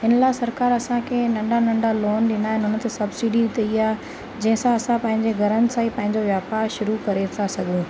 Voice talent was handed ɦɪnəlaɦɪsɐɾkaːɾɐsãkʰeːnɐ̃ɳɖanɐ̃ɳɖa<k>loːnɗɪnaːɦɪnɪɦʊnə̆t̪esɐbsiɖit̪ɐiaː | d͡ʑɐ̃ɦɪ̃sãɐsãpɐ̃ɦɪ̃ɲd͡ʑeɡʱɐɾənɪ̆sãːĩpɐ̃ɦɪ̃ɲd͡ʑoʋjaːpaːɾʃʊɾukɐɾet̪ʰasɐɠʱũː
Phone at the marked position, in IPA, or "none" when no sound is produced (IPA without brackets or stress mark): none